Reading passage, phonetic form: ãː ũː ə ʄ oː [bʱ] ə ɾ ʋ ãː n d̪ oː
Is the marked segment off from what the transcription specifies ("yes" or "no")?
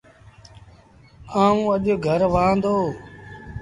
yes